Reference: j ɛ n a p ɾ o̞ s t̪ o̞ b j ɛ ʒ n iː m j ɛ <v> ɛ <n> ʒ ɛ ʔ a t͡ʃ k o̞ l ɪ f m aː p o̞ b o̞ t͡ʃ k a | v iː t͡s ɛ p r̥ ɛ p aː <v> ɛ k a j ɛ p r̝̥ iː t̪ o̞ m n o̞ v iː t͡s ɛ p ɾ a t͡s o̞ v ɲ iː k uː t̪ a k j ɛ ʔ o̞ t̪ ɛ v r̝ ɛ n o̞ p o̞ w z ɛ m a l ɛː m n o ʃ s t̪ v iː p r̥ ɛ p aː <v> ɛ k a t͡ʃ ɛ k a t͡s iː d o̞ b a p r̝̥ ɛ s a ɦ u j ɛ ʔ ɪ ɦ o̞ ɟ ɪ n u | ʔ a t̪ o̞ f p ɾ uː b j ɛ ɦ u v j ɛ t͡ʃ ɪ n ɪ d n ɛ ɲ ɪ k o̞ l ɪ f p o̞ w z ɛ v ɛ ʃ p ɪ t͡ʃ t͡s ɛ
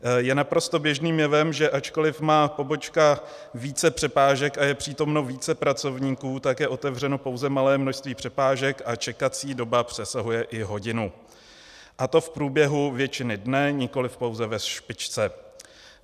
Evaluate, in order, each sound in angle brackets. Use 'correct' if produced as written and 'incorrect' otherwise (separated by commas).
correct, incorrect, incorrect, incorrect